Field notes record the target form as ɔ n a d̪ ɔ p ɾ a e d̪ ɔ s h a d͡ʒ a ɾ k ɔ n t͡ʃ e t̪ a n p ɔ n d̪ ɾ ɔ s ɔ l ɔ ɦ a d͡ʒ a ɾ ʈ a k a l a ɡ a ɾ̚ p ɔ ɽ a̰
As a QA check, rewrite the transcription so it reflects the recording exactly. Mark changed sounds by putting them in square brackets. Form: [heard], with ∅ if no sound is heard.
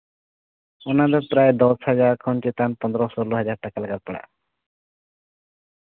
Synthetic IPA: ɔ n a d̪ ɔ p ɾ a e d̪ ɔ s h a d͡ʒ a ɾ [kʰ] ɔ n t͡ʃ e t̪ a n p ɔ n d̪ ɾ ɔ s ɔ l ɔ ɦ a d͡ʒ a ɾ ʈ a k a l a ɡ a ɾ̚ p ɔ ɽ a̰

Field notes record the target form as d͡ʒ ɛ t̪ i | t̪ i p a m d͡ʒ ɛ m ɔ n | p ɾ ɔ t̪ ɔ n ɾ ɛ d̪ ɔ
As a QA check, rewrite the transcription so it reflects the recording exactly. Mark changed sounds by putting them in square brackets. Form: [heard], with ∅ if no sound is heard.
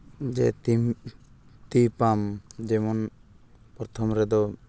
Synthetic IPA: d͡ʒ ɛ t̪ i | t̪ i p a m d͡ʒ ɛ m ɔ n | p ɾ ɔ [t̪ʰ] ɔ [m] ɾ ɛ d̪ ɔ

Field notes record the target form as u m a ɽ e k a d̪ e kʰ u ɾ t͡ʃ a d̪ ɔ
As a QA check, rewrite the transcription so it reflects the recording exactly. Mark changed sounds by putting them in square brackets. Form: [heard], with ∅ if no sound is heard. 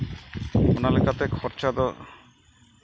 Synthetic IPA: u [n] a [l] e k a [t̪] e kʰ [ɔ] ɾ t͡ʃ a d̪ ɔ

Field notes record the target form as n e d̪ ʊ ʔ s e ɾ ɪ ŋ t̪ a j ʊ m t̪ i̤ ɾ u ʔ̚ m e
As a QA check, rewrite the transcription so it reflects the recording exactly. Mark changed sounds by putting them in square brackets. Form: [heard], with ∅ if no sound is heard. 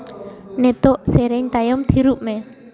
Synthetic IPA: n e [t̪] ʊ ʔ s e ɾ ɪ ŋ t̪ a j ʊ m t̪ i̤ ɾ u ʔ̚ m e

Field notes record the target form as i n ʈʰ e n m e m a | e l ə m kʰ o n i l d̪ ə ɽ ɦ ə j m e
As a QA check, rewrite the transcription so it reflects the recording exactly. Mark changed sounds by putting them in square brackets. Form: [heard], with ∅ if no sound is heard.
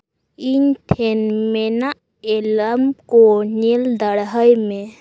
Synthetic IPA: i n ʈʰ e n m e [n] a | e l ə m [k] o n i l d̪ ə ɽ ɦ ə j m e

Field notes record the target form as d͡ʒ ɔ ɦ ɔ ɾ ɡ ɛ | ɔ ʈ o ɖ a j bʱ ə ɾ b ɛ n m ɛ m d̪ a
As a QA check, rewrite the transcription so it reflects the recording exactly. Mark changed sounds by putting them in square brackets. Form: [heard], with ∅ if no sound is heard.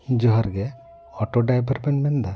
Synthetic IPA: d͡ʒ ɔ ɦ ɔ ɾ ɡ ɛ | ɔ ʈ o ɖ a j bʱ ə ɾ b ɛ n m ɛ [n] d̪ a

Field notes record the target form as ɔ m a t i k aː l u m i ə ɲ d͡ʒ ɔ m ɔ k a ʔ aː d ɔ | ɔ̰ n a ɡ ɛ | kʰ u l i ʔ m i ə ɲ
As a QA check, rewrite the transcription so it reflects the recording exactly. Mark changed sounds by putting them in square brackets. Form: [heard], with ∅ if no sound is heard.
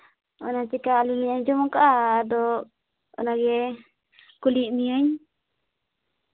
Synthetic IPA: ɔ [n] a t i k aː l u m i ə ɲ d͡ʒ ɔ m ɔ k a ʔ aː d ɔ | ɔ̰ n a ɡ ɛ | [k] u l i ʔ m i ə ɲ

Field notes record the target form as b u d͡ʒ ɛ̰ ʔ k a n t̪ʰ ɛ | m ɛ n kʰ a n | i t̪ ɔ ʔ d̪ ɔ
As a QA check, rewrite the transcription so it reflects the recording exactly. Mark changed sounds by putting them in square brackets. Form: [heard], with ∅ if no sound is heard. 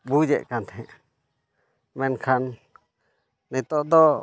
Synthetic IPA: b u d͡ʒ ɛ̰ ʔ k a n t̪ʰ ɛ | m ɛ n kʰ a n | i t̪ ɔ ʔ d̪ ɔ

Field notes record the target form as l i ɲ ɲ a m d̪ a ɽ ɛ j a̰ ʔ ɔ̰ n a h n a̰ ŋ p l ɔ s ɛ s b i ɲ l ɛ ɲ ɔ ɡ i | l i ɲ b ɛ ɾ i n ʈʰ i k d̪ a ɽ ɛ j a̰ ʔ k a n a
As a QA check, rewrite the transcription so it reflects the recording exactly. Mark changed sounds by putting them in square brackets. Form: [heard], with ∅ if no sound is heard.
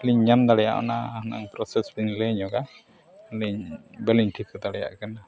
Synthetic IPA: l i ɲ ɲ a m d̪ a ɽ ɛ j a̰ ʔ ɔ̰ n a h n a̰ ŋ p [ɾ] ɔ s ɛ s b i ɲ l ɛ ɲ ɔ ɡ [a] | l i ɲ b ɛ [l] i [ɲ] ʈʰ i k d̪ a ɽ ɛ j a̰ ʔ k a n a

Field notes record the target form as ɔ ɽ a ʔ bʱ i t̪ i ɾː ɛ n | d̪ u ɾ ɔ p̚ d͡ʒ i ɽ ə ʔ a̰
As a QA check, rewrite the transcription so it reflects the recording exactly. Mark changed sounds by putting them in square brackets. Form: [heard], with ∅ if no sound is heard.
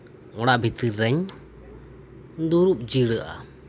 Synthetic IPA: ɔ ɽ a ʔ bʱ i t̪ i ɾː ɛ [ɲ] | d̪ u ɾ [u] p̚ d͡ʒ i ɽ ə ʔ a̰

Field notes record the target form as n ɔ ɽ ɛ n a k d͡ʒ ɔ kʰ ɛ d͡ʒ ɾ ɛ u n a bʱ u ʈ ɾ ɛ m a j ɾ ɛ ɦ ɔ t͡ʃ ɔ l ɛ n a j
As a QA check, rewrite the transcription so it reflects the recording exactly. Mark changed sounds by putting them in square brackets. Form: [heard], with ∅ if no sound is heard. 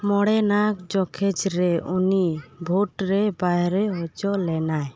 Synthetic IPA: [m] ɔ ɽ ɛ n a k d͡ʒ ɔ kʰ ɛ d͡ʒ ɾ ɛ u n [i] bʱ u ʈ ɾ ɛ [b] a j ɾ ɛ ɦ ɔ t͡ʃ ɔ l ɛ n a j

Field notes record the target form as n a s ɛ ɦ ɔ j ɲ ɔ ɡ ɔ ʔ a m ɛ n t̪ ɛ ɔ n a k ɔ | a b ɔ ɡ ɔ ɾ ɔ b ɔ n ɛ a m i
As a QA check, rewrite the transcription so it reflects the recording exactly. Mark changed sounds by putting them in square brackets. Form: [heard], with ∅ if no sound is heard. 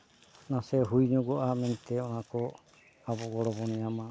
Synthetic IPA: n a s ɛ ɦ [u] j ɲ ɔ ɡ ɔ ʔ a m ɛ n t̪ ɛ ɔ n a k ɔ | a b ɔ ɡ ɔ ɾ ɔ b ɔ n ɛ a m [a]

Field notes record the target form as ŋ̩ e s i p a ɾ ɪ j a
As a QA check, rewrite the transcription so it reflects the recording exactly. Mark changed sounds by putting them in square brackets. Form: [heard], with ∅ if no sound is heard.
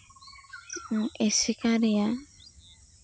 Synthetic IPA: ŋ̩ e s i [k] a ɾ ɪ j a

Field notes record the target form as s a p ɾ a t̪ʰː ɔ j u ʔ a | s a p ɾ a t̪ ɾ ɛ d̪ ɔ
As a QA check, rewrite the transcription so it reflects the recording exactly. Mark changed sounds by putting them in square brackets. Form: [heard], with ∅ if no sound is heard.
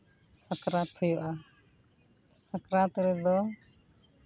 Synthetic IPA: s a [k] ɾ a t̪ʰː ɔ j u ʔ a | s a [k] ɾ a t̪ ɾ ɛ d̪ ɔ

